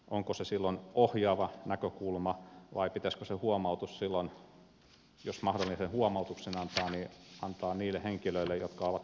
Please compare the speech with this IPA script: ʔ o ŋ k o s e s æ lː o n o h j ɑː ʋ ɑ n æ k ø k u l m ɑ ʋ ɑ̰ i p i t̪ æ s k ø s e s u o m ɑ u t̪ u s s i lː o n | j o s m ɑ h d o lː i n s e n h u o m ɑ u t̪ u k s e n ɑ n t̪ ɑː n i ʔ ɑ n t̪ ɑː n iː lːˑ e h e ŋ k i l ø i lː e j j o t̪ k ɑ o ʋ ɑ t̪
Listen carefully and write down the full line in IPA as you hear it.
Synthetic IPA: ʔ o ŋ k o s e s i lː o n o h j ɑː ʋ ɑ n æ k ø k u l m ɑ ʋ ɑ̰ i p i t̪ æ s k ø s e h u o m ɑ u t̪ u s s i lː o n | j o s m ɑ h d o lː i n s e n h u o m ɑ u t̪ u k s e n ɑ n t̪ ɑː n i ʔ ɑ n t̪ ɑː n iː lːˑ e h e ŋ k i l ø i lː e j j o t̪ k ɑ o ʋ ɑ t̪

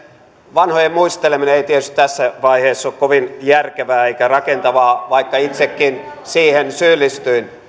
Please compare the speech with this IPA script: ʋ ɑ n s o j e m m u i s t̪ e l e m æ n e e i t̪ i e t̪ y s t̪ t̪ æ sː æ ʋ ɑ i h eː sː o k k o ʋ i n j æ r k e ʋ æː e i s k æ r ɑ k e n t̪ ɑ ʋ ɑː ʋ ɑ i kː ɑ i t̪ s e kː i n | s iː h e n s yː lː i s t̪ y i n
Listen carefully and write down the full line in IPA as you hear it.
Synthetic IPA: ʋ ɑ n h o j e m m u i s t̪ e l e m i n e e i t̪ i e t̪ y s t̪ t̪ æ sː æ ʋ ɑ i h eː sː o k k o ʋ i n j æ r k e ʋ æː e i k æ r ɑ k e n t̪ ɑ ʋ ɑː ʋ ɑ i kː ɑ i t̪ s e kː i n | s iː h e n s yː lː i s t̪ y i n

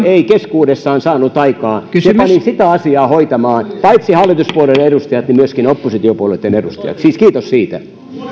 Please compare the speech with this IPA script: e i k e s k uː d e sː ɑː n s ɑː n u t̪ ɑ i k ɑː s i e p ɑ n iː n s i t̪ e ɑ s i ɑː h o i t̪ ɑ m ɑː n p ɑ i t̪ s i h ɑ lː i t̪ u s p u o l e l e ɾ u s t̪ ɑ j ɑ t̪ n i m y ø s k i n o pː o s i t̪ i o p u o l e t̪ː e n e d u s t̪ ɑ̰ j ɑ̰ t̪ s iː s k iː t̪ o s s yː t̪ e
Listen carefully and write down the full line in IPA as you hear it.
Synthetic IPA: e i k e s k uː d e sː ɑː n s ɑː n u t̪ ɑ i k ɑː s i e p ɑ n i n s i t̪ æ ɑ s i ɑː h o i t̪ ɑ m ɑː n p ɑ i t̪ s i h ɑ lː i t̪ u s p u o l e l e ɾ u s t̪ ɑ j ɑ t̪ n i m y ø s k i n o pː o s i t̪ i o p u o l e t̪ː e n e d u s t̪ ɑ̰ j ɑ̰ t̪ s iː s k iː t̪ o s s iː t̪ æ

